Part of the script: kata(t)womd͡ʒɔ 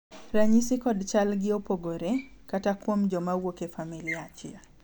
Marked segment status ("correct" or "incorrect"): incorrect